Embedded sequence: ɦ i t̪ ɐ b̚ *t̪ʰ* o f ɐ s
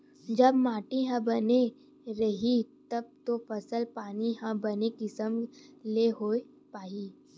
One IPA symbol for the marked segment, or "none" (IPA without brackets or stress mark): t̪